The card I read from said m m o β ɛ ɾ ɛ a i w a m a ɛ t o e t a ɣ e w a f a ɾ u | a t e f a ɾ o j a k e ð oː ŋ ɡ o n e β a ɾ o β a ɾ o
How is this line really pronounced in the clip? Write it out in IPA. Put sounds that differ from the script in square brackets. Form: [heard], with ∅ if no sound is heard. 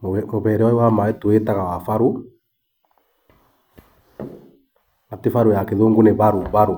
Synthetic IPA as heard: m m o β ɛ ɾ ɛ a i w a m a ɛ t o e t a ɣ [a] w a f a ɾ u | a t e f a ɾ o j a k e ð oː ŋ ɡ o n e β a ɾ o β a ɾ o